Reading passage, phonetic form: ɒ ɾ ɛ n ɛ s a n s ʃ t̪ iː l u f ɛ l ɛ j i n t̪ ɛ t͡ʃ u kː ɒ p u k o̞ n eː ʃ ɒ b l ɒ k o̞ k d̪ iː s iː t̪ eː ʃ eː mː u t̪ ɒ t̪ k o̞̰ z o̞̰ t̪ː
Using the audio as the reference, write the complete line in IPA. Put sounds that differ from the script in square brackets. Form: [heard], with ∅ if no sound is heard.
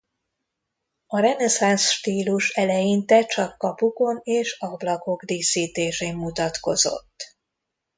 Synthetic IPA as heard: ɒ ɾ ɛ n ɛ s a n s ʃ t̪ iː l u [ʃ] ɛ l ɛ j i n t̪ ɛ t͡ʃ [ɒ] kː ɒ p u k o̞ n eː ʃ ɒ b l ɒ k o̞ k d̪ iː s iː t̪ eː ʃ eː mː u t̪ ɒ t̪ k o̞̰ z o̞̰ t̪ː